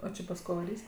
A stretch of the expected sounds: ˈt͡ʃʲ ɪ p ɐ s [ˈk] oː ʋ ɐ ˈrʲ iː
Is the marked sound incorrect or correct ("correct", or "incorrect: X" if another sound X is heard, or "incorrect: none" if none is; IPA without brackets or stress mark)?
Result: correct